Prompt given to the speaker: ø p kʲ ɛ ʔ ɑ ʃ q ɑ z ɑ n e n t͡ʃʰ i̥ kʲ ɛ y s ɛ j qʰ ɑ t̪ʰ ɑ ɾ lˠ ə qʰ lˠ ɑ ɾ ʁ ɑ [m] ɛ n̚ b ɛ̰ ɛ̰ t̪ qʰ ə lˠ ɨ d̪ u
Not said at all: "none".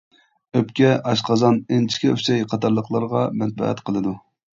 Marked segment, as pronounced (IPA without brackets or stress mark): m